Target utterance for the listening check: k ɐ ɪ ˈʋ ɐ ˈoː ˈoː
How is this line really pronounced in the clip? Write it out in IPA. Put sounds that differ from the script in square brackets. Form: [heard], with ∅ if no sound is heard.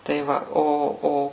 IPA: [t] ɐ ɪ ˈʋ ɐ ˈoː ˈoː

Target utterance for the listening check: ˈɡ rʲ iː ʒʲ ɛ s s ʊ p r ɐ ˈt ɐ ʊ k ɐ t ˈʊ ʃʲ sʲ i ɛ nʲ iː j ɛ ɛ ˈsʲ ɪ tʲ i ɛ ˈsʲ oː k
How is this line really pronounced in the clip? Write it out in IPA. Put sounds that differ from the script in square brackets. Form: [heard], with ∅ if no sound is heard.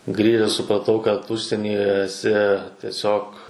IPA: ˈɡ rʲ iː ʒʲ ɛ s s ʊ p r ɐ ˈt ɐ ʊ k ɐ t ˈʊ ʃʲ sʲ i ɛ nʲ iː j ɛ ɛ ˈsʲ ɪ tʲ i ɛ ˈsʲ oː k

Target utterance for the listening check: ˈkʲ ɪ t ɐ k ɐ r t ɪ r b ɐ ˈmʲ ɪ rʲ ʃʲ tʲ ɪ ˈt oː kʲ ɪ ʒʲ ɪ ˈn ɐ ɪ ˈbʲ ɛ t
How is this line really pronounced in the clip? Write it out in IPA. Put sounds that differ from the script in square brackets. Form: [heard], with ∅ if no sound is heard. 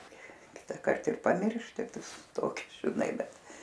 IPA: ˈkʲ ɪ t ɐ k ɐ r t ɪ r [p] ɐ ˈmʲ ɪ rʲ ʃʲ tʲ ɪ ˈt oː kʲ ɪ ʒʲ ɪ ˈn ɐ ɪ ˈbʲ ɛ t

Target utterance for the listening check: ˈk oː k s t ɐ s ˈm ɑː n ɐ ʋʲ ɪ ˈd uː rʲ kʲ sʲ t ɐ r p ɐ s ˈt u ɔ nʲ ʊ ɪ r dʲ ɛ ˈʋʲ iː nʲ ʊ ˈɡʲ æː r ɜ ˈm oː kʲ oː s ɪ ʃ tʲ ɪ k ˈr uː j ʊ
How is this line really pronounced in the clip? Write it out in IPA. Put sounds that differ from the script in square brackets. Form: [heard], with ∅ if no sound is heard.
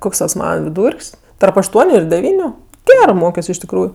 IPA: ˈk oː k s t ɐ s ˈm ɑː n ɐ ʋʲ ɪ ˈd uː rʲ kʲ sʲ t ɐ r p ɐ [ʃ] ˈt u ɔ nʲ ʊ ɪ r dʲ ɛ ˈʋʲ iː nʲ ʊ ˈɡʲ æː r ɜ ˈm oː kʲ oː s ɪ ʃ tʲ ɪ k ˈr uː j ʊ

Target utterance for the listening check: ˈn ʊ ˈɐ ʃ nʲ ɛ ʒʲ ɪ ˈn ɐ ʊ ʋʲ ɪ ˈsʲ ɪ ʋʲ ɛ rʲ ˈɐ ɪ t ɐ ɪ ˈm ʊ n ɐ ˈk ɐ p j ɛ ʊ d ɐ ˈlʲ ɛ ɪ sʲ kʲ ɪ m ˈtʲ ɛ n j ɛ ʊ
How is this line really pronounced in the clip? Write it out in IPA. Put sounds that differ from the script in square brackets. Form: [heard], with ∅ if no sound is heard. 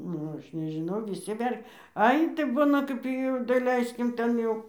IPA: ˈn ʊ ˈɐ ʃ nʲ ɛ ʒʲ ɪ ˈn ɐ ʊ ʋʲ ɪ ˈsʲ ɪ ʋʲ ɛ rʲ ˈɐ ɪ t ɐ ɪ [ˈb] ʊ n ɐ ˈk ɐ p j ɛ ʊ d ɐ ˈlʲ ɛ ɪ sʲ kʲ ɪ m ˈtʲ ɛ n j ɛ ʊ

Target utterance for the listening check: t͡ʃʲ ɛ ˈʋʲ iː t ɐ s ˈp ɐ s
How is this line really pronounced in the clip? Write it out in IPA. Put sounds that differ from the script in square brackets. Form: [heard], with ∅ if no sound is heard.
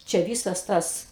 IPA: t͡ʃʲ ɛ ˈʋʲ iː [s] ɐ s [ˈt] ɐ s

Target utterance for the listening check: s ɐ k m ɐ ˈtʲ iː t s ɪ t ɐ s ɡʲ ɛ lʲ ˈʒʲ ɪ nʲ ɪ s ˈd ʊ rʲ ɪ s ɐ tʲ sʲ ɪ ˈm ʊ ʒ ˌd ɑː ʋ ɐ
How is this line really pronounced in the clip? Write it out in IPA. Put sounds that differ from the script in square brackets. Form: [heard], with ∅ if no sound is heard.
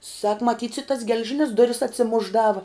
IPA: s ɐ k m ɐ ˈtʲ iː t s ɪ t ɐ s ɡʲ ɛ lʲ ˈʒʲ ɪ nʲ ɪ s ˈd ʊ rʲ ɪ s ɐ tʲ sʲ ɪ ˈm ʊ ʒ ˌd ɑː ʋ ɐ

